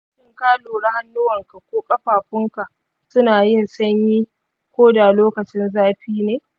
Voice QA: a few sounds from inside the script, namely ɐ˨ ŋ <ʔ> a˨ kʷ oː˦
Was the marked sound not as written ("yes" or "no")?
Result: yes